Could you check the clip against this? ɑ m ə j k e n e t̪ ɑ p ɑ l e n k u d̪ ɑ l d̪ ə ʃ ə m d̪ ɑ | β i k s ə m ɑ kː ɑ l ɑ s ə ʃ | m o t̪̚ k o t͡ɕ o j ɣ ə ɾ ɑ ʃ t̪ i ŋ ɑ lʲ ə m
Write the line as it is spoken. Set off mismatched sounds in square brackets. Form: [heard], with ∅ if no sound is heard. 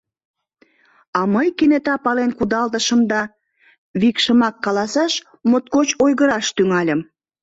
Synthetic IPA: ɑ m ə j k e n e t̪ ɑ p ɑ l e n k u d̪ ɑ l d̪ ə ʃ ə m d̪ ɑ | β i k [ʃ] ə m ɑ kː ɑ l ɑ s [ɑ] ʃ | m o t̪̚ k o t͡ɕ o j ɣ ə ɾ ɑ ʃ t̪ [y] ŋ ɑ lʲ ə m